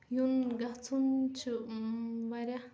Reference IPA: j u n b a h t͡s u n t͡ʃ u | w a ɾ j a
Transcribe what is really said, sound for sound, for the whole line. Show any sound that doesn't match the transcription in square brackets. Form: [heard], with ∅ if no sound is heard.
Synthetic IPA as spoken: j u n [ɡ] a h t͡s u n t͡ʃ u | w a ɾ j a